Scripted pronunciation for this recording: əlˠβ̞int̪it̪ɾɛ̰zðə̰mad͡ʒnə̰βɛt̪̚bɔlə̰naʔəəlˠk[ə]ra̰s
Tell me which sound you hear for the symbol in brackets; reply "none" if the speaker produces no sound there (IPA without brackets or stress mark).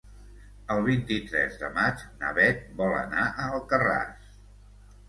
ə